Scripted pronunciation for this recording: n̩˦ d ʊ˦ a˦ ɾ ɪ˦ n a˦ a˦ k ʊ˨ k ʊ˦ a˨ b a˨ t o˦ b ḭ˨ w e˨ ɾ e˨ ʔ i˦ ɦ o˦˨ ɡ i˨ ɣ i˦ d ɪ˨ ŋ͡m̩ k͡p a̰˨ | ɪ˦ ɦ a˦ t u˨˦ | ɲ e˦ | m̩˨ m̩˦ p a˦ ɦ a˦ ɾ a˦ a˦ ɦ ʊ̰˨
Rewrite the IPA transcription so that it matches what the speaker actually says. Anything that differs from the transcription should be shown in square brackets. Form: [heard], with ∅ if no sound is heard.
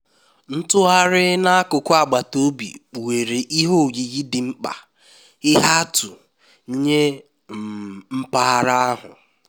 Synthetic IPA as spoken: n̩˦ [t] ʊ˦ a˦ ɾ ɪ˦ n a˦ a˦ k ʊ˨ k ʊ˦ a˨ [ɡ͡b] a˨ t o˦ b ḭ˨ w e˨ ɾ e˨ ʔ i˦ ɦ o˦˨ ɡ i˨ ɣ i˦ d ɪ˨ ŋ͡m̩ k͡p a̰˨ | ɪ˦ ɦ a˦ t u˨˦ | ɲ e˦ | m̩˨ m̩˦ p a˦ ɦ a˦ ɾ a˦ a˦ ɦ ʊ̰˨